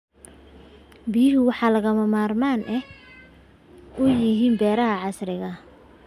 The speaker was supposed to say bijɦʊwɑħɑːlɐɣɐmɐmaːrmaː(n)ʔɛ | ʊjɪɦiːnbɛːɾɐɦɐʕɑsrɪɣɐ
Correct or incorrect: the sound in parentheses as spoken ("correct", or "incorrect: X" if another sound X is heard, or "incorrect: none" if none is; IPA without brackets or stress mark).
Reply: correct